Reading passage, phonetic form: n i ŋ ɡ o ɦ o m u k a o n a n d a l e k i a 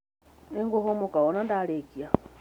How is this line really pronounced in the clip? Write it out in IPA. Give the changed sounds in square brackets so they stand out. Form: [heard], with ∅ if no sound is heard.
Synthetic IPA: n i ŋ ɡ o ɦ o m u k a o n a n d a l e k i a